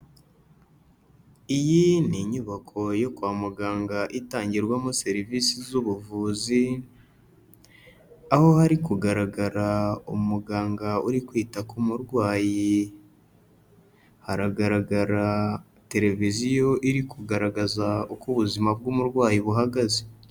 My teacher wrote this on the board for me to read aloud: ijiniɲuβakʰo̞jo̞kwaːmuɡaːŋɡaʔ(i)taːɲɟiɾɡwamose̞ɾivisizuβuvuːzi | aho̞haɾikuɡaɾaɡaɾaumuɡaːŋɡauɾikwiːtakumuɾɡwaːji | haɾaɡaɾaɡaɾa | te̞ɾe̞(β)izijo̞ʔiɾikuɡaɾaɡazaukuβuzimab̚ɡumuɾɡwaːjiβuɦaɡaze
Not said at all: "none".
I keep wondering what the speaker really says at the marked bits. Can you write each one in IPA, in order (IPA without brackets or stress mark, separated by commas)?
i, v